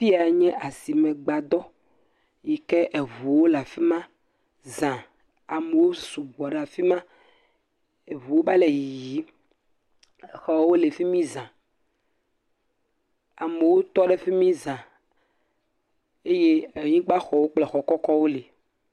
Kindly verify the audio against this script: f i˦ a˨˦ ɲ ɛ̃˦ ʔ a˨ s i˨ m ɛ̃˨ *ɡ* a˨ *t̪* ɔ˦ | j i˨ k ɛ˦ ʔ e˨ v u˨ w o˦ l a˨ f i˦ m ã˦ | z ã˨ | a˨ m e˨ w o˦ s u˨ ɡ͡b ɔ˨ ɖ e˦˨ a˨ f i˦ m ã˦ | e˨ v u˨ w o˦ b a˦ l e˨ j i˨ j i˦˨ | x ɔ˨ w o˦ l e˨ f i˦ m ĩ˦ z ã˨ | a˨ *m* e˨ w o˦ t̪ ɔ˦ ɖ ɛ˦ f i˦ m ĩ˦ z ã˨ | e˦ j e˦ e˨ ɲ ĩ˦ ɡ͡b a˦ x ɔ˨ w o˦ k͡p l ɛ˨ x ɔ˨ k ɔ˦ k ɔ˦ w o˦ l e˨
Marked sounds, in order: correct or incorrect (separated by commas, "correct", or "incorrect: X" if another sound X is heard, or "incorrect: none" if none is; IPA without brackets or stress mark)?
incorrect: ɡ͡b, incorrect: d̪, correct